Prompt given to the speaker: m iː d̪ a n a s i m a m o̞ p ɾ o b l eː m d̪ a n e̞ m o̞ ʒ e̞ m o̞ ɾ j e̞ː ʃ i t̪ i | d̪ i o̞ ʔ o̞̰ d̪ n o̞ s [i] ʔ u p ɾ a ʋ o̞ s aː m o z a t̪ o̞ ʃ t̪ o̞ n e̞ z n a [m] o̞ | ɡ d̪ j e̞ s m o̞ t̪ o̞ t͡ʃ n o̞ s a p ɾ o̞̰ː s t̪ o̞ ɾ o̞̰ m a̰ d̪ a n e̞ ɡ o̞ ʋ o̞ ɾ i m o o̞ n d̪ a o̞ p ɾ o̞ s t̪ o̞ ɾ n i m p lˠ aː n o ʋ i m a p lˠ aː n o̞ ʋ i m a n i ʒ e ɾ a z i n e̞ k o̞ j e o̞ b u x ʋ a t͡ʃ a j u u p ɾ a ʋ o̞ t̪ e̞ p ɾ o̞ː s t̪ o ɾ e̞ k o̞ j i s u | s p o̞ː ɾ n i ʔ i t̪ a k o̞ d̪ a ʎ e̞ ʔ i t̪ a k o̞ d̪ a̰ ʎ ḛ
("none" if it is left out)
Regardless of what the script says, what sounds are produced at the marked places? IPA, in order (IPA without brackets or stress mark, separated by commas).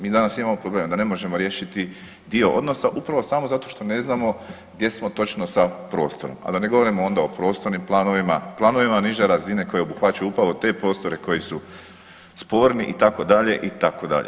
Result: a, m